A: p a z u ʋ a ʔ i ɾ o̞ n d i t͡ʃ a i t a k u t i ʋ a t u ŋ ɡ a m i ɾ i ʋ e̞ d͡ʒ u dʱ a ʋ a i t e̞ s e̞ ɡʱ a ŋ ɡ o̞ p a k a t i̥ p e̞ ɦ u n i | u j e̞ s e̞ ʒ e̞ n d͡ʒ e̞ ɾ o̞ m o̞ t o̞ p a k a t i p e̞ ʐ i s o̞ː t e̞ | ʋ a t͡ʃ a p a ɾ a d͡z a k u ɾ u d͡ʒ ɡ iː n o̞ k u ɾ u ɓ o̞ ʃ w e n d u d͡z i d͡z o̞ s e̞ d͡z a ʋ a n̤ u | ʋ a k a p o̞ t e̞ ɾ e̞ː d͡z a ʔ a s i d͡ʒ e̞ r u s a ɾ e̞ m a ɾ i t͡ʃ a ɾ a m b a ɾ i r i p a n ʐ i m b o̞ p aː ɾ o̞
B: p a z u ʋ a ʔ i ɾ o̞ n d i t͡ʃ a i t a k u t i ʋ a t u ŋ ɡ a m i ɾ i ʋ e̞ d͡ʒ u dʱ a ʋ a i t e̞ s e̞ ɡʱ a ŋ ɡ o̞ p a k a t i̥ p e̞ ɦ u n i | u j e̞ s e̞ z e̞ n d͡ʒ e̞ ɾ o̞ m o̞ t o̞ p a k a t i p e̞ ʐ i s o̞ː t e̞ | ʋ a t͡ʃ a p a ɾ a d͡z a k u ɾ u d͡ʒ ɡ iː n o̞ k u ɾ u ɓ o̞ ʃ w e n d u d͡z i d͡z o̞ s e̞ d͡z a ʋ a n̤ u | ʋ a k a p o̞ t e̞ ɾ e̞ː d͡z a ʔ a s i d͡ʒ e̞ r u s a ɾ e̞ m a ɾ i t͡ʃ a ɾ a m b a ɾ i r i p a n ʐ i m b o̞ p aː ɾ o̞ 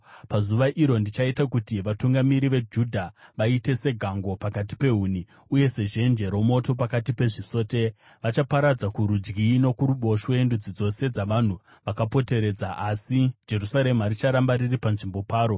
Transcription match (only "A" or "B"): A